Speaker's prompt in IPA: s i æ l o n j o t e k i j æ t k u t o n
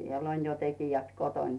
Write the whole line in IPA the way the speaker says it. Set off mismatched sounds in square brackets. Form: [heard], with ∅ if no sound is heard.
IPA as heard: s i [e] l o n j o t e k i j æ t k [o] t o n